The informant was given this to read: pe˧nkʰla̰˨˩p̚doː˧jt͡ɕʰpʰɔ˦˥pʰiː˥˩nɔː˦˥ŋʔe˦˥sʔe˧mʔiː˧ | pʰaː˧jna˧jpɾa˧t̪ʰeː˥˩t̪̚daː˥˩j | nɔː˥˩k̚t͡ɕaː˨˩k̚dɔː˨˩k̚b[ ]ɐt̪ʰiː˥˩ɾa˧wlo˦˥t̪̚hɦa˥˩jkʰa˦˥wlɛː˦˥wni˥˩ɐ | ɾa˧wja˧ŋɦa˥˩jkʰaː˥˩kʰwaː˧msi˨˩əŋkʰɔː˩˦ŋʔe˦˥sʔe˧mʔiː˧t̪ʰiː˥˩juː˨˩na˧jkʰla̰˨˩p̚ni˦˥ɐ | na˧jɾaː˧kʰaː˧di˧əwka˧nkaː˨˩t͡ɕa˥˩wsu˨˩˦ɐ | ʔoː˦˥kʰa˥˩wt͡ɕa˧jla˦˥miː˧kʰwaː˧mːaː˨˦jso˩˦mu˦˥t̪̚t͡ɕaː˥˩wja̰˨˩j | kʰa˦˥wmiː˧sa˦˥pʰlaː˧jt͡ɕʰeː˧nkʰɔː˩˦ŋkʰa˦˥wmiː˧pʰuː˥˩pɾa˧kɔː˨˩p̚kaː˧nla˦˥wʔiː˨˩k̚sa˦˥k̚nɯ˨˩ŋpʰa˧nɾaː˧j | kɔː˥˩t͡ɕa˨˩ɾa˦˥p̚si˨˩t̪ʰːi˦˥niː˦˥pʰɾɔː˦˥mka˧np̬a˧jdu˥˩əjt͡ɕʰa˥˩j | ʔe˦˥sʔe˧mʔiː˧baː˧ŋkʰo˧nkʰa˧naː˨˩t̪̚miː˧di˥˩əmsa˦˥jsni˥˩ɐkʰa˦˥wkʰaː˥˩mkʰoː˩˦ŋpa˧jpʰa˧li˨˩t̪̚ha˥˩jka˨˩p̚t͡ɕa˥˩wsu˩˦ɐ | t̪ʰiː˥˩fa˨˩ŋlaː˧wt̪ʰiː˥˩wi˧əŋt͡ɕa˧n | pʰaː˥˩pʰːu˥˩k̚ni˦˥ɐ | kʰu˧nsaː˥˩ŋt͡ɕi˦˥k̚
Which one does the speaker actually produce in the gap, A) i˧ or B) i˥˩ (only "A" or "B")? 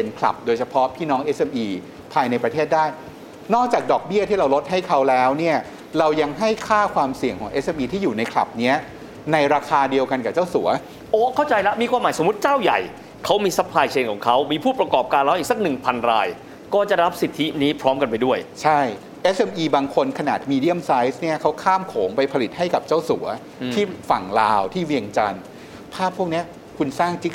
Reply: B